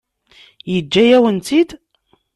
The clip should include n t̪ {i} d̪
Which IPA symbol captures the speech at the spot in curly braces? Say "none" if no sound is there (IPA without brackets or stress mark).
i